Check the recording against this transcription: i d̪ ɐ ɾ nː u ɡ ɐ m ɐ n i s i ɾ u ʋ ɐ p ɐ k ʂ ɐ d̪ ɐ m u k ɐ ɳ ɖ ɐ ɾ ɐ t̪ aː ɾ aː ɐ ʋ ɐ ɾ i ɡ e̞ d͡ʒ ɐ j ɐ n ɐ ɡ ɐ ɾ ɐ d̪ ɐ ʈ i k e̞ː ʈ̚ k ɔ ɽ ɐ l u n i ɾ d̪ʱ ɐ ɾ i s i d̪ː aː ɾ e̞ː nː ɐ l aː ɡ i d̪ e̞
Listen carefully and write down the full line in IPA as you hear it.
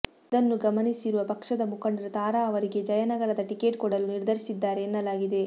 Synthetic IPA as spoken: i d̪ ɐ nː u ɡ ɐ m ɐ n i s i ɾ u ʋ ɐ p ɐ k ʂ ɐ d̪ ɐ m u k ɐ ɳ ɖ ɐ ɾ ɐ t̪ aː ɾ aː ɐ ʋ ɐ ɾ i ɡ e̞ d͡ʒ ɐ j ɐ n ɐ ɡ ɐ ɾ ɐ d̪ ɐ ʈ i k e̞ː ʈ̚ k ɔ ɽ ɐ l u n i ɾ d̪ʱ ɐ ɾ i s i d̪ː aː ɾ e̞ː nː ɐ l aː ɡ i d̪ e̞